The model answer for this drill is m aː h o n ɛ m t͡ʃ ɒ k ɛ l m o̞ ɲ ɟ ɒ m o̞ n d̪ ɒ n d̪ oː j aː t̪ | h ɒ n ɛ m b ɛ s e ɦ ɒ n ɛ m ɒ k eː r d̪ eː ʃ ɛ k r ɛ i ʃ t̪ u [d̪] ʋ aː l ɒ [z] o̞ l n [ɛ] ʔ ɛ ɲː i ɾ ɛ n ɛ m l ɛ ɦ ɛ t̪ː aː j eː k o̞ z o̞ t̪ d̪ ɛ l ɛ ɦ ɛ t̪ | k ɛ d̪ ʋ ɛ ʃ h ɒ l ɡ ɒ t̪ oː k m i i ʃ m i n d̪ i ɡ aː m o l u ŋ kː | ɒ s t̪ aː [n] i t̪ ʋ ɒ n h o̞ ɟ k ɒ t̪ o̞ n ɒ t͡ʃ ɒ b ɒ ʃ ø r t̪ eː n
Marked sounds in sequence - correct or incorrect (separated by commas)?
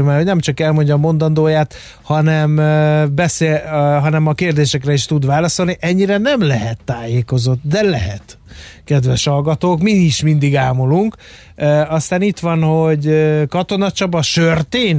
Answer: correct, incorrect, incorrect, correct